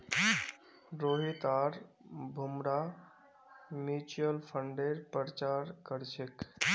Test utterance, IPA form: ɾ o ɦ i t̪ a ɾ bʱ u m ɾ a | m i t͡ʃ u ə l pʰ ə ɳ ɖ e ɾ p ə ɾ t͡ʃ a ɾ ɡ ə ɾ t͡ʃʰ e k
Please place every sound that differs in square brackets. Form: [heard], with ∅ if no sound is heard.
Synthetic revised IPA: ɾ o ɦ i t̪ a ɾ bʱ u m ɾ a | m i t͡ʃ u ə l pʰ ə ɳ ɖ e ɾ p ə ɾ t͡ʃ a ɾ [k] ə ɾ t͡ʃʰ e k